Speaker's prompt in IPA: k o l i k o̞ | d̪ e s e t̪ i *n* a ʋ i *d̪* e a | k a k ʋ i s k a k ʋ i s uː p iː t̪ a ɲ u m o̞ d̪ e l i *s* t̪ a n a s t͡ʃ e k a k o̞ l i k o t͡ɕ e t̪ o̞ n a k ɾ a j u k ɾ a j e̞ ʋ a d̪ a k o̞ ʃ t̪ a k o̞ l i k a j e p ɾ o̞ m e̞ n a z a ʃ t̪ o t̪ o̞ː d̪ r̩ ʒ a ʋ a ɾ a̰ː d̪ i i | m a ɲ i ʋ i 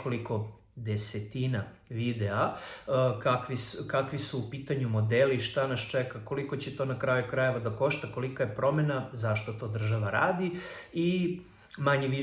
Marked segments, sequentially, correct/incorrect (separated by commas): correct, correct, incorrect